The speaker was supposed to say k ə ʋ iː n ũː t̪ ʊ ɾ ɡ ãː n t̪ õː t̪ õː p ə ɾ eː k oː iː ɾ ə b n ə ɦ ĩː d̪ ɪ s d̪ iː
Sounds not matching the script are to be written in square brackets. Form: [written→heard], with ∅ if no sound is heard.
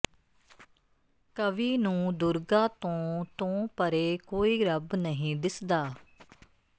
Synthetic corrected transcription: k ə ʋ iː n ũː [t̪→d̪] ʊ ɾ ɡ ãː [n→∅] t̪ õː t̪ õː p ə ɾ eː k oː iː ɾ ə b n ə ɦ ĩː d̪ ɪ s d̪ [iː→aː]